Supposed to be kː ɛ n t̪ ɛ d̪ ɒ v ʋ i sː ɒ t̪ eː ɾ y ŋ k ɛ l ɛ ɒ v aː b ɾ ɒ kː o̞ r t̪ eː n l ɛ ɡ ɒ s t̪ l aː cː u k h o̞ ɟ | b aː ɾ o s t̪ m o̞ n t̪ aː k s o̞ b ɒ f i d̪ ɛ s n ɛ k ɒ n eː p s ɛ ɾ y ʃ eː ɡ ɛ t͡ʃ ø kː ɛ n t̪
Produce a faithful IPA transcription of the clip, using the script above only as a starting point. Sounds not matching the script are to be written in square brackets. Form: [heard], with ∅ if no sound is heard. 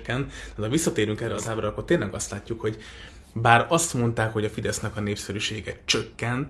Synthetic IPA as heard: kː ɛ n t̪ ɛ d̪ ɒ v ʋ i sː ɒ t̪ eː ɾ y ŋ k ɛ [r] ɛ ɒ [z] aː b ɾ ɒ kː o̞ r t̪ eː n l ɛ ɡ ɒ s t̪ l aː cː u k h o̞ ɟ | b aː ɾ [ɒ] s t̪ m o̞ n t̪ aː k [h] o̞ [ɟ] ɒ f i d̪ ɛ s n ɛ k ɒ n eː p s ɛ ɾ y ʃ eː ɡ ɛ t͡ʃ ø kː ɛ n t̪